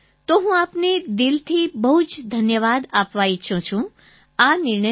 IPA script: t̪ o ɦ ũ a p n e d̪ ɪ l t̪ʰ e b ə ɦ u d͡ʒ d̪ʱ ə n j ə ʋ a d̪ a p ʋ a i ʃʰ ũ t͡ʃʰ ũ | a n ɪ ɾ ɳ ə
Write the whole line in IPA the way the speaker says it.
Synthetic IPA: t̪ o ɦ ũ a p n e d̪ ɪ l t̪ʰ i b ə ɦ u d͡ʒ d̪ʱ ə n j ə ʋ a d̪ a p ʋ a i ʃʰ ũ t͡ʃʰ ũ | a n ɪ ɾ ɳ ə